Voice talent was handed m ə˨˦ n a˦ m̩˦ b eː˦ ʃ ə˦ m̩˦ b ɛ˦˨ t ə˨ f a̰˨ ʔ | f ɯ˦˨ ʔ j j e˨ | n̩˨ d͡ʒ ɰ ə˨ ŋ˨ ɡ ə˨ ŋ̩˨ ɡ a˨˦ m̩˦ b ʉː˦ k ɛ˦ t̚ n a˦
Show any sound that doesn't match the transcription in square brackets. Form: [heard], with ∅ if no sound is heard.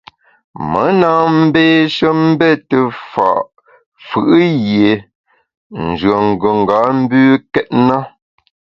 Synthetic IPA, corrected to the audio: m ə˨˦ n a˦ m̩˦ b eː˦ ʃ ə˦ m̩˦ b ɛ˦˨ t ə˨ f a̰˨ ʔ | f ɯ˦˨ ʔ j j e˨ | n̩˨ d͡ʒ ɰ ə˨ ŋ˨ ɡ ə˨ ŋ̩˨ ɡ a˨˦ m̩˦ b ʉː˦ k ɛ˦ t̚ n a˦